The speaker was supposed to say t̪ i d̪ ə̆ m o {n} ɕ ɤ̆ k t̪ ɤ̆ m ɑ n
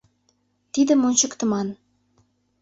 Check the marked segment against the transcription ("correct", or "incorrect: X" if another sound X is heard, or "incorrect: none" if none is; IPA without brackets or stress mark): correct